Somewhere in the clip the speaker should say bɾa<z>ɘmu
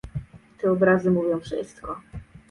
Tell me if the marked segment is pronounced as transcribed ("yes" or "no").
yes